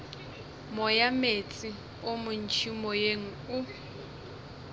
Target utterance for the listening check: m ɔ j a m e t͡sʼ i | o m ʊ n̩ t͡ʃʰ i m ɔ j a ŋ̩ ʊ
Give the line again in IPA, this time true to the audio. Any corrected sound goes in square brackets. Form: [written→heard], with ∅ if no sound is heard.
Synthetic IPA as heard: m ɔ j a m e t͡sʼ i | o m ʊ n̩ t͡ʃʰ i m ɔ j [a→e] ŋ̩ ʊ